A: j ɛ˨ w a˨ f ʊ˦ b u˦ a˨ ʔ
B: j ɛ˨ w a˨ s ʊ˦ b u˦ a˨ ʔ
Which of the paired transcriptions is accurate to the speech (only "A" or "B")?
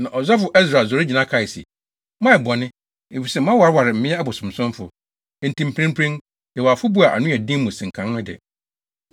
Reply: A